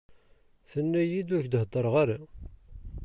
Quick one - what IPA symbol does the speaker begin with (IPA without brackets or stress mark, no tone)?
θ